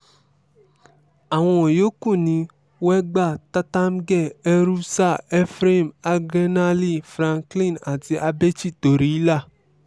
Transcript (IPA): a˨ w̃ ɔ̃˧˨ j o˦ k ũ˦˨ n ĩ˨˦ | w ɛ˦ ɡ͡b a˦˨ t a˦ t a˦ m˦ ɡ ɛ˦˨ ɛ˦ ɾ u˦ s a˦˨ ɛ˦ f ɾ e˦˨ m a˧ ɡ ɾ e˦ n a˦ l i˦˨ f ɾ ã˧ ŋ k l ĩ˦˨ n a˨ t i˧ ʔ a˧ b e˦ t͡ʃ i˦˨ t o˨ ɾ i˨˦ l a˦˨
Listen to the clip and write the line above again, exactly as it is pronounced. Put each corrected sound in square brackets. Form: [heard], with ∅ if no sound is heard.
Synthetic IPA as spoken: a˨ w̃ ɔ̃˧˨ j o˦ k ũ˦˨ n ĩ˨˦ | w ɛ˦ ɡ͡b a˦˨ t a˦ t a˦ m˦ ɡ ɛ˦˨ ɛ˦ ɾ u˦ s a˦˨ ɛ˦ f ɾ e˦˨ m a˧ ɡ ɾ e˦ n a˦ l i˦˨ f ɾ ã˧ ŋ k l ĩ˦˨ n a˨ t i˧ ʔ a˧ b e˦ t͡ʃ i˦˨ t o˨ ɾ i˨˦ l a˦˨

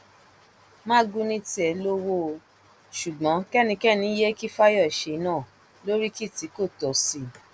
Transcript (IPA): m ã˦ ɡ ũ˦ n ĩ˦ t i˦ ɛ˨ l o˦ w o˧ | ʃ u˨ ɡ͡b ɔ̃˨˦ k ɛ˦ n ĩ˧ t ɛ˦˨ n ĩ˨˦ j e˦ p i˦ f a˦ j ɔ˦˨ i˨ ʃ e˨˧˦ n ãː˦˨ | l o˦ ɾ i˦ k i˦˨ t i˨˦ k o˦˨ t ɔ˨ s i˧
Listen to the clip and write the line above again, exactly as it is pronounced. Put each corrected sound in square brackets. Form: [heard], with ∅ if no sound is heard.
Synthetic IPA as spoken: m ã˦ ɡ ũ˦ n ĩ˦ t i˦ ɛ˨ l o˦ w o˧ | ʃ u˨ ɡ͡b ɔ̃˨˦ k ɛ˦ n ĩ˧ [k] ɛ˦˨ n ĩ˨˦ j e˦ [k] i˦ f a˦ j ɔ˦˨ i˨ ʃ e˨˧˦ n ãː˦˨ | l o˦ ɾ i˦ k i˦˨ t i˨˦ k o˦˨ t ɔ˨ s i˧

